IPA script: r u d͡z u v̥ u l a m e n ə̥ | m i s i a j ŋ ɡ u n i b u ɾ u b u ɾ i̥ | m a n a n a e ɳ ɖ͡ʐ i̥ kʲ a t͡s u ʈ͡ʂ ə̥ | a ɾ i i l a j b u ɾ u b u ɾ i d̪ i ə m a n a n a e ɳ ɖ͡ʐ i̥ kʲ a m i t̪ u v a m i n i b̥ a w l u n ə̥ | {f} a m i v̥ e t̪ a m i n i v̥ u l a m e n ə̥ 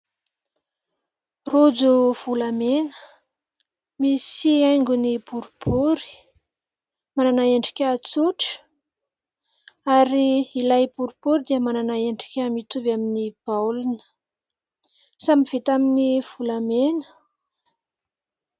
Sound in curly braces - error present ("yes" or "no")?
yes